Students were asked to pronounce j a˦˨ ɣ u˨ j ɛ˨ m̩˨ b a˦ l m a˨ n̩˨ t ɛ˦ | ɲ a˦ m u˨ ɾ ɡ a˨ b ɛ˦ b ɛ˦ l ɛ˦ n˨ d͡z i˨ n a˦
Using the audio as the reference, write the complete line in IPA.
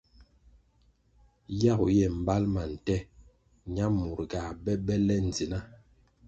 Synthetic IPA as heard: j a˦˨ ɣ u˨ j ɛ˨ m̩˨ b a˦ l m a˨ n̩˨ t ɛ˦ | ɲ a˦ m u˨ ɾ ɡ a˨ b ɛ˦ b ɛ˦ l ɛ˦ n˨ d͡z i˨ n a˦